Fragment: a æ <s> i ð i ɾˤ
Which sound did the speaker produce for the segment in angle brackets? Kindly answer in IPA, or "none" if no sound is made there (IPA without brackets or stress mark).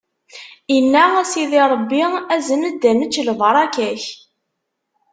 s